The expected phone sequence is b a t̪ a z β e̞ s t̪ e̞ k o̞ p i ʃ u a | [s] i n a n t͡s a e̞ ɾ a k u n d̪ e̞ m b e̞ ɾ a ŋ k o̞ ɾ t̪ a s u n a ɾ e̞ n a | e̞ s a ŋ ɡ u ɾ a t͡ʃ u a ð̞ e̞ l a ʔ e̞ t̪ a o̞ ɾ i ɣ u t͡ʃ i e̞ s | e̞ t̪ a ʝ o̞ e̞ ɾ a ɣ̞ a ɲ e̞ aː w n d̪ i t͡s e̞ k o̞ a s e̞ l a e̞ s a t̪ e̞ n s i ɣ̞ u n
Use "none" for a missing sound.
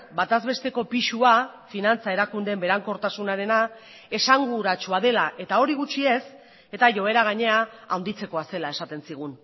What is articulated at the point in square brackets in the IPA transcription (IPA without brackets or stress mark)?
f